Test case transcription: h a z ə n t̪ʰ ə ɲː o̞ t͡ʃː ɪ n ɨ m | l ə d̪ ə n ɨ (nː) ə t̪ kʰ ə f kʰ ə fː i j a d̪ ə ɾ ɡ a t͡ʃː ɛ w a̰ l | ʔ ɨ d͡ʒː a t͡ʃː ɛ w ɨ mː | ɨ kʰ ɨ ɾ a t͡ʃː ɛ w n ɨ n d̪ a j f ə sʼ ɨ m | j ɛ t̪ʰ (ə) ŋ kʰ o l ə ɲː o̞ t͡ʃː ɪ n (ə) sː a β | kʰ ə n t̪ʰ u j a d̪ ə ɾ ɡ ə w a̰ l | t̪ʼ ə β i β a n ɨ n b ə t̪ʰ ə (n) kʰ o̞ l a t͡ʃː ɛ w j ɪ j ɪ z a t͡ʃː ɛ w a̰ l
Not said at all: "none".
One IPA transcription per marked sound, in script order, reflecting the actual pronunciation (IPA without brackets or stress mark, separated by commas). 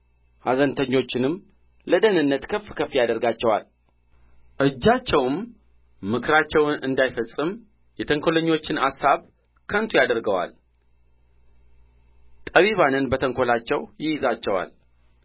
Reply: nː, ə, a, ŋ